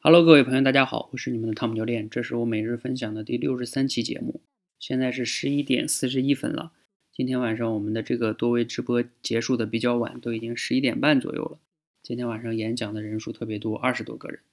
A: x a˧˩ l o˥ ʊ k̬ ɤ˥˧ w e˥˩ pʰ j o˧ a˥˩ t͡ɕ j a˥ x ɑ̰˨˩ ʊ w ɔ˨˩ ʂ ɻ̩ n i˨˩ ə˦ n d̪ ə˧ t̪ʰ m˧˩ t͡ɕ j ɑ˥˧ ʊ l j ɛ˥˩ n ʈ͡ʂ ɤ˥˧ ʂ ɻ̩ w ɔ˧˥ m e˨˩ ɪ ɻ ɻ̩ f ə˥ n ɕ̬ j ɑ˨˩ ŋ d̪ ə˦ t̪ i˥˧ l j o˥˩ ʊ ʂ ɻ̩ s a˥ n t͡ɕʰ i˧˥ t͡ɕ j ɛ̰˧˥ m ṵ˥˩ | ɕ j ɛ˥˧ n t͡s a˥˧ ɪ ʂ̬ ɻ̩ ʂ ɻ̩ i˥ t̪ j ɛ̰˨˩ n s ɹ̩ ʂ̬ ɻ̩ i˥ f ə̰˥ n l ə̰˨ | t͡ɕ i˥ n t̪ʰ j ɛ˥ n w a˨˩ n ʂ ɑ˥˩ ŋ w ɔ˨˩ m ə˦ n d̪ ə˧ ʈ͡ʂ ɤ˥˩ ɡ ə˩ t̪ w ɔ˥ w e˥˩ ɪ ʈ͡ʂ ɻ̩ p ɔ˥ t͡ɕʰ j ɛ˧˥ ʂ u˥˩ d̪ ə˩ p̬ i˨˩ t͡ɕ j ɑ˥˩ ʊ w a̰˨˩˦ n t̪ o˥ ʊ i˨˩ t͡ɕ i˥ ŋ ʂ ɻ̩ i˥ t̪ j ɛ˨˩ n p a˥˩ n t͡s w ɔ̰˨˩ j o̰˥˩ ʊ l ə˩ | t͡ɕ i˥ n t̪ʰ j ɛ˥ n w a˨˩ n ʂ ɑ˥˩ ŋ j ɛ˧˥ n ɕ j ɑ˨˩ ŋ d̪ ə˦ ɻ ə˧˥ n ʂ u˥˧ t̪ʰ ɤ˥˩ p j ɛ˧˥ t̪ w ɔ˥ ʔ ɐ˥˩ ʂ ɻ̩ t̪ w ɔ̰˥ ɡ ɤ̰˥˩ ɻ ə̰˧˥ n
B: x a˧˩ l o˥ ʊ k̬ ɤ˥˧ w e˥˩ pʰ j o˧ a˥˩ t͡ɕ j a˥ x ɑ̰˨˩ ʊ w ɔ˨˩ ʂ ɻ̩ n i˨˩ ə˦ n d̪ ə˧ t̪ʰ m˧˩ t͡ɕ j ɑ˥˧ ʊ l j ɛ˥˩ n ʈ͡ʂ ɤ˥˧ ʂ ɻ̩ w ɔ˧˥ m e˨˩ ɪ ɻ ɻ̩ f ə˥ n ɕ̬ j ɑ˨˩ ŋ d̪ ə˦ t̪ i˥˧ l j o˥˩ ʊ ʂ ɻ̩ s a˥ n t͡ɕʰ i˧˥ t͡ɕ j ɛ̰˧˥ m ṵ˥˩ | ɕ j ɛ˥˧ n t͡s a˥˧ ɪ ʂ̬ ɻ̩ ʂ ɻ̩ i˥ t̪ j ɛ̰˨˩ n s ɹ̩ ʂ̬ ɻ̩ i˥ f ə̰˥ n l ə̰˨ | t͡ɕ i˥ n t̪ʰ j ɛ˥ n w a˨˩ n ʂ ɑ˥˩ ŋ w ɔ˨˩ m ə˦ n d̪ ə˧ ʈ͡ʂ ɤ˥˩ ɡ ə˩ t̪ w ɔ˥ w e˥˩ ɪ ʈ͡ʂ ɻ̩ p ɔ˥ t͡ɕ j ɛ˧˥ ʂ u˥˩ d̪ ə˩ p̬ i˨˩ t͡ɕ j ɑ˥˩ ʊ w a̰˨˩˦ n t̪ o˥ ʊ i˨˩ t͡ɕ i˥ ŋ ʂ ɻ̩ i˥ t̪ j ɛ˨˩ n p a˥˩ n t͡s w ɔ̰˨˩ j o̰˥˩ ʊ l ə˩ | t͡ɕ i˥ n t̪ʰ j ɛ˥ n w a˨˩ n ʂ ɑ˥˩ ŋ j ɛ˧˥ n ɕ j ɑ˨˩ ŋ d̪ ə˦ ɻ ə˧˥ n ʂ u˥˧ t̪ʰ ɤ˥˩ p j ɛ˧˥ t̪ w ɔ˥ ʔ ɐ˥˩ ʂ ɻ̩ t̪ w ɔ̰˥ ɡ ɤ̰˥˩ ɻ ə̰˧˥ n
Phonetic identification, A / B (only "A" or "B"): B